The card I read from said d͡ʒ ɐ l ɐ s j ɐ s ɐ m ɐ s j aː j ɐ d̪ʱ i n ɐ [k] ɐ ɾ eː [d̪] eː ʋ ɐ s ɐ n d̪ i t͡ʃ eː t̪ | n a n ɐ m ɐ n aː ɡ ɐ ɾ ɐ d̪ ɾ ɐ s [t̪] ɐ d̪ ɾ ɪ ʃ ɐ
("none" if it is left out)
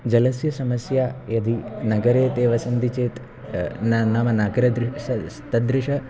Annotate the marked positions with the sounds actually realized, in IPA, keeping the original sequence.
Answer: ɡ, t̪, t̪

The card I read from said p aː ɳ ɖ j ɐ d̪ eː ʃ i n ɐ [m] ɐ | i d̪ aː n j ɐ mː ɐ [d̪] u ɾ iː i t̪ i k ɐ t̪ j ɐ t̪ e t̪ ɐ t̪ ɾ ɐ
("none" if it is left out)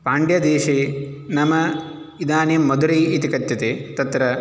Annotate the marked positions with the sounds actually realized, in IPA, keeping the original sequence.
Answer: m, d̪

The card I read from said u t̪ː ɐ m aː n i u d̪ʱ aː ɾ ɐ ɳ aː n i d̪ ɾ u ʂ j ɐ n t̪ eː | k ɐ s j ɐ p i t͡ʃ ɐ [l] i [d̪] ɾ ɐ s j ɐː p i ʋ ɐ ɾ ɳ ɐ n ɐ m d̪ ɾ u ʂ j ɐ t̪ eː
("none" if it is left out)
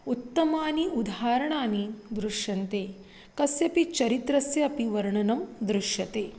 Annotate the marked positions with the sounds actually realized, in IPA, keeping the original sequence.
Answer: ɾ, t̪

